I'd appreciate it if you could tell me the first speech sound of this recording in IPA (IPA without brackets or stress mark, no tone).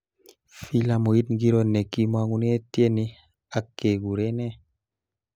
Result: f